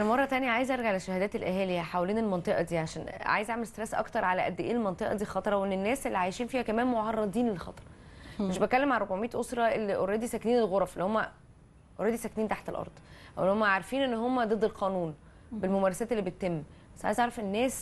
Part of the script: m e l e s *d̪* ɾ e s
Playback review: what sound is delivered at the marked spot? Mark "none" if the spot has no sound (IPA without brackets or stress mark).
t̪